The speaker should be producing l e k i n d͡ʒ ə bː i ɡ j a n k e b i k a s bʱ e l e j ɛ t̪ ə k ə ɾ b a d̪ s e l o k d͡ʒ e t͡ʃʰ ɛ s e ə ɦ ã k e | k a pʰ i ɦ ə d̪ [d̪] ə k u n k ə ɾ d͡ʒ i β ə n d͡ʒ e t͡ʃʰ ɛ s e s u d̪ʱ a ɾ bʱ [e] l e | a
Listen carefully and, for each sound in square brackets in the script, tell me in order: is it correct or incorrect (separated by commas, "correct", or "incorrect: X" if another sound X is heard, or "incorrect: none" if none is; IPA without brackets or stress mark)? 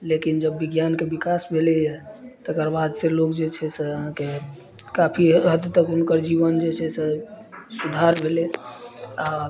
incorrect: t̪, correct